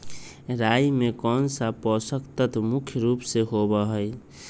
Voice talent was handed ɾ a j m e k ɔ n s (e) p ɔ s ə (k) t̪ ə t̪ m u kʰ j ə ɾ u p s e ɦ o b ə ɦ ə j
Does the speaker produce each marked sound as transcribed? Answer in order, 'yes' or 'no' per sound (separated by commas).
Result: no, yes